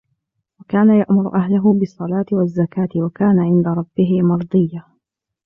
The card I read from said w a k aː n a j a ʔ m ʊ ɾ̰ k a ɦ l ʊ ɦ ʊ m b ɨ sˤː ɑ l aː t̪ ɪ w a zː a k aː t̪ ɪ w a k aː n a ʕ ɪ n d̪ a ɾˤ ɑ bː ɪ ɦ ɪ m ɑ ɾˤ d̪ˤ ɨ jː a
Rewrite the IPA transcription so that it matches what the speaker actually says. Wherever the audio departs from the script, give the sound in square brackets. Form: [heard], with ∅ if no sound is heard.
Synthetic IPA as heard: w a k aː n a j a ʔ m ʊ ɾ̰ [ʔ] a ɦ l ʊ ɦ ʊ [∅] b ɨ sˤː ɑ l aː t̪ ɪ w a zː a k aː t̪ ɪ w a k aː n a ʕ ɪ n d̪ a ɾˤ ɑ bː ɪ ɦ ɪ m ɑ ɾˤ d̪ˤ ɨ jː a